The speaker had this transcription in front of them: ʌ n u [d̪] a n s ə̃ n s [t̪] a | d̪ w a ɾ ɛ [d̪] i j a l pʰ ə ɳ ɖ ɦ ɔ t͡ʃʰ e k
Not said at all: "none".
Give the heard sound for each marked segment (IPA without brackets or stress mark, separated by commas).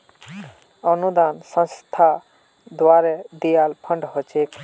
d̪, t̪ʰ, d̪